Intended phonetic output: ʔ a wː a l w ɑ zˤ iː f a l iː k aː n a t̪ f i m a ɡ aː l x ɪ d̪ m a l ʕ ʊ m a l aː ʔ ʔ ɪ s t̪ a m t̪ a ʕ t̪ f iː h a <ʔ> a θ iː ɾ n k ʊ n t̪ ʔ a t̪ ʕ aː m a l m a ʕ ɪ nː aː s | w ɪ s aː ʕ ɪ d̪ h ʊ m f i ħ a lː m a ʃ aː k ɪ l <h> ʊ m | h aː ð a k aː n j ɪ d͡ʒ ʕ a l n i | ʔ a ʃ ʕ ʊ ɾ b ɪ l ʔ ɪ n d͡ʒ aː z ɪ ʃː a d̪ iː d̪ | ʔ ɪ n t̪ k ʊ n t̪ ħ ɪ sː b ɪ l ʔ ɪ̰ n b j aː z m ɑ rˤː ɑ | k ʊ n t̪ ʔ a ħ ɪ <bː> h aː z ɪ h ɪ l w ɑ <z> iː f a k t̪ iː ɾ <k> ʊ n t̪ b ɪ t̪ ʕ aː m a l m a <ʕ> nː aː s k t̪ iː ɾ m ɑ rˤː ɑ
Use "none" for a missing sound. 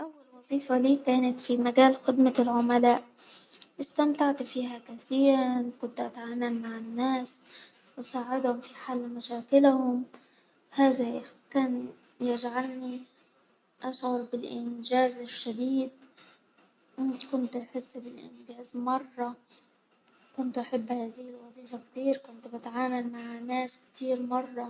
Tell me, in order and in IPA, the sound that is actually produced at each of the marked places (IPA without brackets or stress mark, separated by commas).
k, h, bː, z, k, ʕ